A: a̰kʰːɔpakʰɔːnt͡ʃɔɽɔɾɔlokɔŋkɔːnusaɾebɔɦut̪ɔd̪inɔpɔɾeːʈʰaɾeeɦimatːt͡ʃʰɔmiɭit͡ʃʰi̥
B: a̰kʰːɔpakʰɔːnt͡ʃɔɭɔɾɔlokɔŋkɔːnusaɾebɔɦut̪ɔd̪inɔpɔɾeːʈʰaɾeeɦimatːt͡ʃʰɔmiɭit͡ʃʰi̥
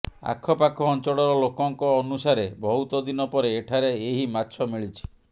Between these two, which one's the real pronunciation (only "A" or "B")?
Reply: A